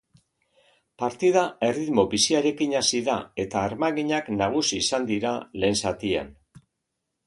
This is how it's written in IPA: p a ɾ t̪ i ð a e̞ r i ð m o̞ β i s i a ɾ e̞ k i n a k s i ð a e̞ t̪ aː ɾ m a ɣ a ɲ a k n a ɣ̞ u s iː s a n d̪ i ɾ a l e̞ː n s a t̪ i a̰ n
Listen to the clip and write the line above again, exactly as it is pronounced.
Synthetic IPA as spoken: p a ɾ t̪ i ð a e̞ r i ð m o̞ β i s i a ɾ e̞ k i ɲ a s i ð a e̞ t̪ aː ɾ m a ɣ i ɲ a k n a ɣ̞ u s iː s a n d̪ i ɾ a l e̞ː n s a t̪ i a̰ n